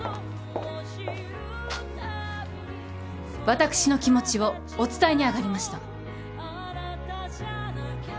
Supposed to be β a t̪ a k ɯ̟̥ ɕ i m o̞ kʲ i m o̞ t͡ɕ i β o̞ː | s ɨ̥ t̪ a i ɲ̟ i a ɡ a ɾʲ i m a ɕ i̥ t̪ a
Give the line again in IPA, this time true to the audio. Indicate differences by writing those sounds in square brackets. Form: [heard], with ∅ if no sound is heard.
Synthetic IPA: β a t̪ a k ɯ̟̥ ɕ i [n] o̞ kʲ i m o̞ t͡ɕ i β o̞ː | [t͡s] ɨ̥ t̪ a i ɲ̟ i a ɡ a ɾʲ i m a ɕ i̥ t̪ a